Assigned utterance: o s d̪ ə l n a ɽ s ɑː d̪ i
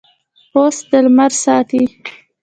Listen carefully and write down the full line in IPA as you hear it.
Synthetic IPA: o s d̪ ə l m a ɾ s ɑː t̪ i